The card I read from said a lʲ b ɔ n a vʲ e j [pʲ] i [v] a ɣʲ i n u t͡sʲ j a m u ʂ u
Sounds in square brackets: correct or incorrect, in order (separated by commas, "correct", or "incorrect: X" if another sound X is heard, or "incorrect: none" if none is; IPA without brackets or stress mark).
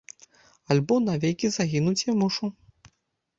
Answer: incorrect: kʲ, incorrect: z